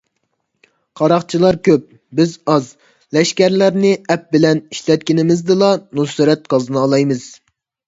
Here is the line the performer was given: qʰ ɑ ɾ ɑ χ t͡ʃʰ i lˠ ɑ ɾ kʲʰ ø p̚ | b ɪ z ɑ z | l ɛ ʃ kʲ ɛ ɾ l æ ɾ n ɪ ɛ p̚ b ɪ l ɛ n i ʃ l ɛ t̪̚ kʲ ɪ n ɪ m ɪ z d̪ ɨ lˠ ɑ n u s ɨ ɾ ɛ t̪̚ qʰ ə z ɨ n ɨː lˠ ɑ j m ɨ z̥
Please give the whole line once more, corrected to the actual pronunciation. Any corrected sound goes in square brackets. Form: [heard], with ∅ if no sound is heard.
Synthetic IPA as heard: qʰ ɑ ɾ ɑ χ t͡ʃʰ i lˠ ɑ ɾ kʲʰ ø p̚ | b ɪ z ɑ z | l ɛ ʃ kʲ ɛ ɾ l æ ɾ n ɪ ɛ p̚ b ɪ l ɛ n i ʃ l ɛ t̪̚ kʲ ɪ n ɪ m ɪ z d̪ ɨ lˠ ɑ n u s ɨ ɾ ɛ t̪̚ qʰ [ɑ] z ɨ n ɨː lˠ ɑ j m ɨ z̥